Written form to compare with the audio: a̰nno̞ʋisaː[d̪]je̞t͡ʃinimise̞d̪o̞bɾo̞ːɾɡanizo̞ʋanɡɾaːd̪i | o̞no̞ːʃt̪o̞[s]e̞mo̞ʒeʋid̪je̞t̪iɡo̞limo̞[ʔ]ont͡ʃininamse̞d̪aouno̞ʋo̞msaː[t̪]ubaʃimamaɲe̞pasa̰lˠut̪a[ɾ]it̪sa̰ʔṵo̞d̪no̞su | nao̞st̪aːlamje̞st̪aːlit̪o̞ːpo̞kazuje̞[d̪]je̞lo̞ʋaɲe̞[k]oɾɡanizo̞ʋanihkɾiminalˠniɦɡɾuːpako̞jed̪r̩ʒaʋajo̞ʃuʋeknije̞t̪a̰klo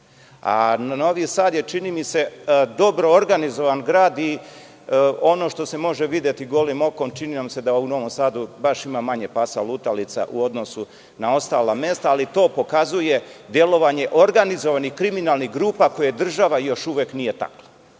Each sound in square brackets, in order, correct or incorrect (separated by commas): correct, correct, incorrect, incorrect, incorrect, correct, incorrect